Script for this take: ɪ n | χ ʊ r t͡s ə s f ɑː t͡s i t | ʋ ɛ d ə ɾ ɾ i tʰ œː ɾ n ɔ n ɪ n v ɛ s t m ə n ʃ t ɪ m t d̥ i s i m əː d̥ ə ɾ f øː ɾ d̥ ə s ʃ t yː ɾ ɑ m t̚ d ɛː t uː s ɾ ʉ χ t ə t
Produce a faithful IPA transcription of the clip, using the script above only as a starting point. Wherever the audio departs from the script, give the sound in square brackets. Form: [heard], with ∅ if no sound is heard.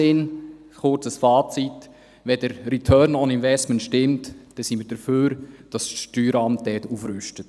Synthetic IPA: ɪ n | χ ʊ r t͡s ə s f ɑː t͡s i t | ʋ ɛ d ə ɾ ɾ i tʰ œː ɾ n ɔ n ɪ n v ɛ s t m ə n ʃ t ɪ m t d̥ [ɛ] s i m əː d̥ ə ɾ f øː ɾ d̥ [ɑ] s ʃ t yː ɾ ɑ m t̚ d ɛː t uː [f] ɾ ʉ [ʃ] t ə t